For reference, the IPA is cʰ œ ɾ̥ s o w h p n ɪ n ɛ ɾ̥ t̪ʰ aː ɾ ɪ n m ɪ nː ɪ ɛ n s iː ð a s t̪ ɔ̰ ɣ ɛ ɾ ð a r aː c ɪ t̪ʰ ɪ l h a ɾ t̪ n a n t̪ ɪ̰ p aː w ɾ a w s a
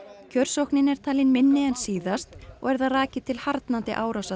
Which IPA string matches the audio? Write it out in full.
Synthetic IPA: cʰ œ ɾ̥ s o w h k n ɪ n ɛ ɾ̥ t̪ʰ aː l ɪ n m ɪ nː ɪ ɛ n s iː ð a s t̪ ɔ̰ ɣ ɛ ɾ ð a r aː c ɪ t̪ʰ ɪ l h a ɾ t̪ n a n t̪ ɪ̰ ʔ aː w ɾ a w s a

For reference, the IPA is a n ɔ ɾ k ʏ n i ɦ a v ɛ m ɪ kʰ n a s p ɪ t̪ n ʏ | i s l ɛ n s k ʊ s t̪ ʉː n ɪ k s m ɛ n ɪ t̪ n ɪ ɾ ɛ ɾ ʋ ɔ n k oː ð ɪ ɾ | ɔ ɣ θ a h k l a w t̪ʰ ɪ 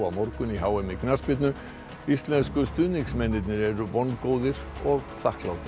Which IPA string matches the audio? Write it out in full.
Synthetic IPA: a m ɔ ɾ k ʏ n i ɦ a w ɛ m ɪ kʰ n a s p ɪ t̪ n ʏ | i s l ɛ n s k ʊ s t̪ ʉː n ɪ k s m ɛ n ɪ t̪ n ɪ ɾ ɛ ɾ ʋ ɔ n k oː ð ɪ ɾ | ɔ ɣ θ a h k l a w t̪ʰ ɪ

